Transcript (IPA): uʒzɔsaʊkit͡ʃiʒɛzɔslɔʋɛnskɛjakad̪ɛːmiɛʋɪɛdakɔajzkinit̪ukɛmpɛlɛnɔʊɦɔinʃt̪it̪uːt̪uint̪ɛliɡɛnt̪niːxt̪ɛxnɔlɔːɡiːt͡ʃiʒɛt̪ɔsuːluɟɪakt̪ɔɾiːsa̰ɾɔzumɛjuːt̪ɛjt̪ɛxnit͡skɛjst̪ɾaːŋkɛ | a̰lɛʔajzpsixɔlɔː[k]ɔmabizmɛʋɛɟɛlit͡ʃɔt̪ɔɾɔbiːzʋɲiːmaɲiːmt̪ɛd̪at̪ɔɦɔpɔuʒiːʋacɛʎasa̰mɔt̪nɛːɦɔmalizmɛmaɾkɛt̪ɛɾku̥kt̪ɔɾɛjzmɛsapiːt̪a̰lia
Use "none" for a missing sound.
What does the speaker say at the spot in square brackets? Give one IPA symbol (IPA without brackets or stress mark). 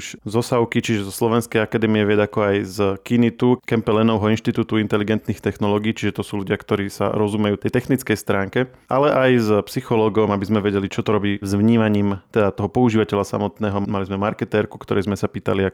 ɡ